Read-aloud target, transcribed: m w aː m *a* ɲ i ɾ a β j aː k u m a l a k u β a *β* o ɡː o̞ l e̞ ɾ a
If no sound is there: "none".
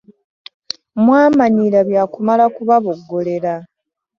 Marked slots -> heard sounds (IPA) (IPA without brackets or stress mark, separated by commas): a, β